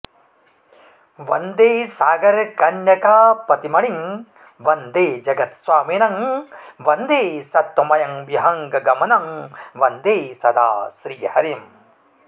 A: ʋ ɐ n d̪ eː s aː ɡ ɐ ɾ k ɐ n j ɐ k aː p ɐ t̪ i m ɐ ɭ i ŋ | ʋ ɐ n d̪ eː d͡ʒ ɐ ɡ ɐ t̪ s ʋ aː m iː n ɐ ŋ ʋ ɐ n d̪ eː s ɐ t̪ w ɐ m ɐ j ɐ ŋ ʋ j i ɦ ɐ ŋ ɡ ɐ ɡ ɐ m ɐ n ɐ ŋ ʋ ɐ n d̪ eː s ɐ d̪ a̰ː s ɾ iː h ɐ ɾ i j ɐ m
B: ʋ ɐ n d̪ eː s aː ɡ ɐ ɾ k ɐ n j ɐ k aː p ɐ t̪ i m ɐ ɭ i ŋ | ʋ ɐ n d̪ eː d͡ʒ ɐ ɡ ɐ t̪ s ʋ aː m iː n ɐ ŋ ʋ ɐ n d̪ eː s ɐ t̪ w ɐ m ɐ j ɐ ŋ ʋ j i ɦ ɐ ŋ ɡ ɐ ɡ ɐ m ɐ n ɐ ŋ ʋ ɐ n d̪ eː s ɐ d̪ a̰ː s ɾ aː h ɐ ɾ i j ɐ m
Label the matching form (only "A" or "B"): A